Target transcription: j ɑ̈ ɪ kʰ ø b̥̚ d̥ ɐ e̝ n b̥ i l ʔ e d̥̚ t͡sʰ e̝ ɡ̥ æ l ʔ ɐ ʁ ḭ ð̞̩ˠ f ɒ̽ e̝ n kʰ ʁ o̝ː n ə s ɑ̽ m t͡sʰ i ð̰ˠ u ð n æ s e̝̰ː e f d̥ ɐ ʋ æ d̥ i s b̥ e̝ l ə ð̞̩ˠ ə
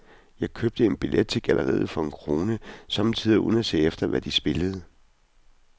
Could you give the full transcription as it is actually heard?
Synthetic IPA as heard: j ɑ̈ ɪ kʰ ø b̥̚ d̥ ə e̝ n b̥ i l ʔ e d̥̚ t͡sʰ e̝ ɡ̥ æ l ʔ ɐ ʁ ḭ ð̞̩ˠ f ɒ̽ e̝ n kʰ ʁ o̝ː n ə s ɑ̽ m t͡sʰ i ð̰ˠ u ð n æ s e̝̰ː e f d̥ ɐ ʋ æ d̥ i s b̥ e̝ l ə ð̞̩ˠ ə